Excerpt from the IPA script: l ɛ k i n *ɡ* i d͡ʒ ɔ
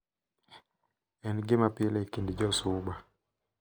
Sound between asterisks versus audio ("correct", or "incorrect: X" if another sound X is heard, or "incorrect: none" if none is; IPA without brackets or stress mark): incorrect: d